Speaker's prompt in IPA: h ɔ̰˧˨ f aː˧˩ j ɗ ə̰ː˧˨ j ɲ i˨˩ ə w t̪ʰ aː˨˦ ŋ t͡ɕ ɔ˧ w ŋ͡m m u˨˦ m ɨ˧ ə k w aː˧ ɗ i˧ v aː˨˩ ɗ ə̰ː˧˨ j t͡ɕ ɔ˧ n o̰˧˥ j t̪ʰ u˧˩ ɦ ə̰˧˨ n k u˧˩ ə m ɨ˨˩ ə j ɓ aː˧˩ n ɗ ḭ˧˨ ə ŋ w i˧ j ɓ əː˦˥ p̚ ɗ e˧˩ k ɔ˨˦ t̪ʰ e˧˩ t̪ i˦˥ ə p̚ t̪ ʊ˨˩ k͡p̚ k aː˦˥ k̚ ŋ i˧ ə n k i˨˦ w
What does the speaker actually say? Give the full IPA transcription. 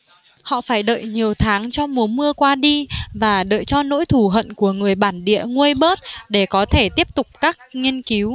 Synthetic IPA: h ɔ̰˧˨ f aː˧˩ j ɗ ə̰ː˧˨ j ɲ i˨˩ ə w t̪ʰ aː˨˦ ŋ t͡ɕ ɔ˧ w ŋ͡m m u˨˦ m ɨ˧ ə k w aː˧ ɗ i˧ v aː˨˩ ɗ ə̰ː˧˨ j t͡ɕ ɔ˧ n o̰˧˥ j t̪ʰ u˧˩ ɦ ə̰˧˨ n k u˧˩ ə ŋ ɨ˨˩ ə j ɓ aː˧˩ n ɗ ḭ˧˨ ə ŋ w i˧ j ɓ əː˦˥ t̚ ɗ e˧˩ k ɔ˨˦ t̪ʰ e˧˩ t̪ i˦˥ ə p̚ t̪ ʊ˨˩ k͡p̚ k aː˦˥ k̚ ŋ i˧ ə n k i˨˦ w